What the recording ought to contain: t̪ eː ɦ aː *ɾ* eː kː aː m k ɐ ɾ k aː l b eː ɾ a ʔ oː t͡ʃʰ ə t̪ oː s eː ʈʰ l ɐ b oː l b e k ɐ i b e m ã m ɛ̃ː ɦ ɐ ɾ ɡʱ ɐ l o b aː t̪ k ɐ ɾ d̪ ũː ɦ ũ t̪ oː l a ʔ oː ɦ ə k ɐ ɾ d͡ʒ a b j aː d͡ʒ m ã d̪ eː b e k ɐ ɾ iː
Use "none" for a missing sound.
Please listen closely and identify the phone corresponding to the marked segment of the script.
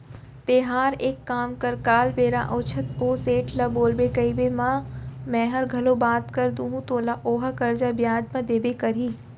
ɾ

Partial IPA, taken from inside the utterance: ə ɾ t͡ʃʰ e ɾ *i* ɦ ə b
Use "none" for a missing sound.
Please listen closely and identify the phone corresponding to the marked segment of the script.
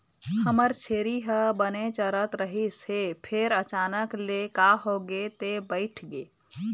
i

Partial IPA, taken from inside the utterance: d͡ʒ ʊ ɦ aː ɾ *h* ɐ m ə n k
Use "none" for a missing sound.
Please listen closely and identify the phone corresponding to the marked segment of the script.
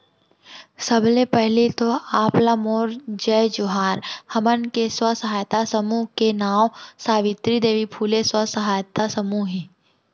h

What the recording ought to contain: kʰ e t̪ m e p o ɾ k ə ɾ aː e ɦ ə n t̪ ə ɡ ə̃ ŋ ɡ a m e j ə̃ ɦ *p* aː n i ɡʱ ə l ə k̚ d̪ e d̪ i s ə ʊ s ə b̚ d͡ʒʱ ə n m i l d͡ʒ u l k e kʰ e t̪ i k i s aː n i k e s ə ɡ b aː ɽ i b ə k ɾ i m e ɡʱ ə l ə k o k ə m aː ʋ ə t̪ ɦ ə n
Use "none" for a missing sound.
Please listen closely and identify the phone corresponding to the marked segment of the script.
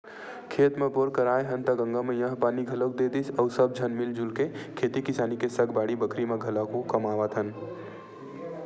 p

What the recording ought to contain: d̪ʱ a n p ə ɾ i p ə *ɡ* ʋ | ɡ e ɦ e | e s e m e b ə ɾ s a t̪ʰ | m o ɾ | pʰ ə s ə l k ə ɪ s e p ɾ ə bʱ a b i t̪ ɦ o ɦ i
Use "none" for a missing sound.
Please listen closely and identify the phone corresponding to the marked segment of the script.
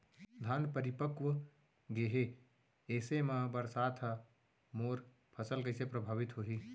k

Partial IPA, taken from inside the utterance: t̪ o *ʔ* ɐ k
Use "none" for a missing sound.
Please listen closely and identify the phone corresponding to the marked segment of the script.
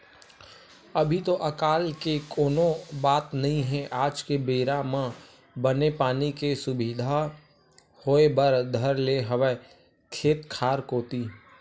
ʔ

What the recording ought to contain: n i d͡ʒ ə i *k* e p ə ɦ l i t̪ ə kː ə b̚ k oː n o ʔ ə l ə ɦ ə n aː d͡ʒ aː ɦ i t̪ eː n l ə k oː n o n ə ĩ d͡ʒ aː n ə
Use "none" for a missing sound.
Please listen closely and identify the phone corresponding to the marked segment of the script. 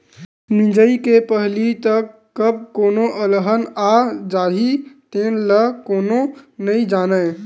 k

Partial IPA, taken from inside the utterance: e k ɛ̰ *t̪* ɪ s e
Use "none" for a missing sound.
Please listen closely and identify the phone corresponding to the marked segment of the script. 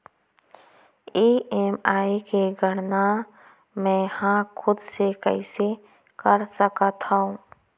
none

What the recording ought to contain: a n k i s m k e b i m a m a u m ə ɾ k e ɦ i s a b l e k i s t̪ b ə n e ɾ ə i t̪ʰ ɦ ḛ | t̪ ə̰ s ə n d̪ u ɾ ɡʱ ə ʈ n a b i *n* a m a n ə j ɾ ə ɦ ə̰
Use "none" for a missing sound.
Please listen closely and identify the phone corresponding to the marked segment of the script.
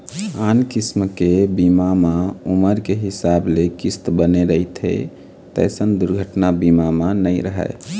m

